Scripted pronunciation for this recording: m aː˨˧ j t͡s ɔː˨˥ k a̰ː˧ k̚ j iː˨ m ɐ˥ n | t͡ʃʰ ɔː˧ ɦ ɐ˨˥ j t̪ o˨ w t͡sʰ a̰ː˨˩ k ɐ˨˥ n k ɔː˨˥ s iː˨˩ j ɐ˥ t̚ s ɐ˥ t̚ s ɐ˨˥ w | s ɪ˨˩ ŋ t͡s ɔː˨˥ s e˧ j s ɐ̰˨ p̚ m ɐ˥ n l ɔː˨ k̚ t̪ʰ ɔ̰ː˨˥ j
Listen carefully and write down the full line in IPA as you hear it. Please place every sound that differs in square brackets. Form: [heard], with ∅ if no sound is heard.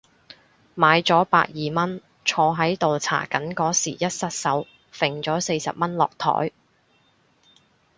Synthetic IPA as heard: m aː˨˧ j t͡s ɔː˨˥ [p] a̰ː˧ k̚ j iː˨ m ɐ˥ n | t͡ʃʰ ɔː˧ ɦ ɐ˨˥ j t̪ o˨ w t͡sʰ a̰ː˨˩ k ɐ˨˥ n k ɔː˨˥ s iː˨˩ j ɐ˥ t̚ s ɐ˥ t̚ s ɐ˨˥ w | [f] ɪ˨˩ ŋ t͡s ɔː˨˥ s e˧ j s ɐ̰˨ p̚ m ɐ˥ n l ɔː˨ k̚ t̪ʰ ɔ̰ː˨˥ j